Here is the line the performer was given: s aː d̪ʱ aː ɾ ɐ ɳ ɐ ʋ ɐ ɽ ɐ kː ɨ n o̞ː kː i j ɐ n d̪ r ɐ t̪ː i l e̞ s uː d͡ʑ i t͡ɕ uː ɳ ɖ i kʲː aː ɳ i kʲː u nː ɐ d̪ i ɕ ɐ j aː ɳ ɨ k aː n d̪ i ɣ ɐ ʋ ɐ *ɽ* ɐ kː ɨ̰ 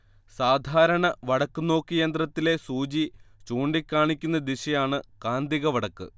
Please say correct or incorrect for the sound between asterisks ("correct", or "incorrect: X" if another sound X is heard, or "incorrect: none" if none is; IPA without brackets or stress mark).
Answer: correct